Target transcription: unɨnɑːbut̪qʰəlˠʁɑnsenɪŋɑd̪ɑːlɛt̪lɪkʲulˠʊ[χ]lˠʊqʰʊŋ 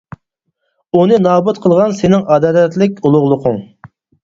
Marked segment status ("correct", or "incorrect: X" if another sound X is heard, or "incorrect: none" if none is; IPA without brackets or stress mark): incorrect: ʁ